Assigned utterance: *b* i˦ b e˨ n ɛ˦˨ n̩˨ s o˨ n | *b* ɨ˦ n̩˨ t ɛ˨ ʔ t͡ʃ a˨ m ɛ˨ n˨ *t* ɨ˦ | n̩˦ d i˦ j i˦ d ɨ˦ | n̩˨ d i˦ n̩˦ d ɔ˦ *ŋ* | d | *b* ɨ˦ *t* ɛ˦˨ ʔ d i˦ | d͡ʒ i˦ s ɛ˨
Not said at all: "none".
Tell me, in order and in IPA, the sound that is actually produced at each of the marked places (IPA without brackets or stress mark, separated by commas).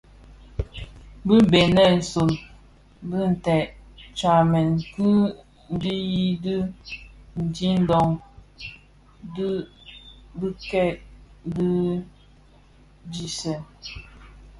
b, b, k, ŋ, b, k